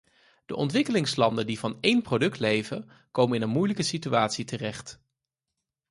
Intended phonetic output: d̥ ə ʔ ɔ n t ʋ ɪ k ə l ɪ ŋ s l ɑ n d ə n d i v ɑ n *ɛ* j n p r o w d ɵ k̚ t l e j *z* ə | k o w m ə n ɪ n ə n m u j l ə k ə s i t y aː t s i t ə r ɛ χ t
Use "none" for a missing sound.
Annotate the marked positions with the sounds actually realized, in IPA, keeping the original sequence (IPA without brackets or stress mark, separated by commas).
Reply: e, v